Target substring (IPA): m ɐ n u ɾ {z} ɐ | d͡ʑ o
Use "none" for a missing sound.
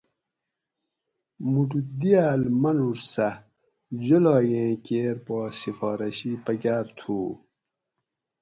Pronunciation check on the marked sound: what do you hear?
s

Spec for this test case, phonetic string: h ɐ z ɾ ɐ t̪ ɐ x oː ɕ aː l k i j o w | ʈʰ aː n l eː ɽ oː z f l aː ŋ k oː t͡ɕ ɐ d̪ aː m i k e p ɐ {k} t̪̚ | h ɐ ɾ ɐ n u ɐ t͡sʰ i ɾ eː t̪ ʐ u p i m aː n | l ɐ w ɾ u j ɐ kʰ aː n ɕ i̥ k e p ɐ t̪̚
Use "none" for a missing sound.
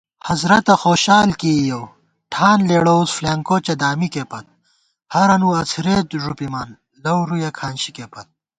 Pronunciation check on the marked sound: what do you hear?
none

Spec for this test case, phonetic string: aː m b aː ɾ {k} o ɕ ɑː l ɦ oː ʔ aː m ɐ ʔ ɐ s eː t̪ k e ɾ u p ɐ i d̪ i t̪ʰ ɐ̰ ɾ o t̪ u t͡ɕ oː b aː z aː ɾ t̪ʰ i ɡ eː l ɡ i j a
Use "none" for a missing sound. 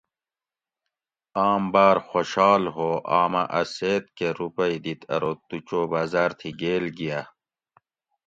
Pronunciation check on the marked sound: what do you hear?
x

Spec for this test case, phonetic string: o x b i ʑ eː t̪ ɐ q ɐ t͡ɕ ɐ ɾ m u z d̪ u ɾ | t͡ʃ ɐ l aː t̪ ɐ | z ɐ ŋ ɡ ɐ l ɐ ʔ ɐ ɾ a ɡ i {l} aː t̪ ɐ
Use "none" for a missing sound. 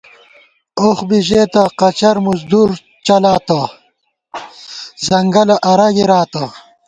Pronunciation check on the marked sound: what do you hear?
ɾ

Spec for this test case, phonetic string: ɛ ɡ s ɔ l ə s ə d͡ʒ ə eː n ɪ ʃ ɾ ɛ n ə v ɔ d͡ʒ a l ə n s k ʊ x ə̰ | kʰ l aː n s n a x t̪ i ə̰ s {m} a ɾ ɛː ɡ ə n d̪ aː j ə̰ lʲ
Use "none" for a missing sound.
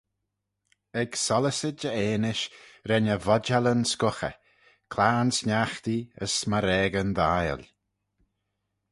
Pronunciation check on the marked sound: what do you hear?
m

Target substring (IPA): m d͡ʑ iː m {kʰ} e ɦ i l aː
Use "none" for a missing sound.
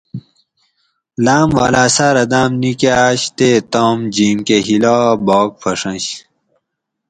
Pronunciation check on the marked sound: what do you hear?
k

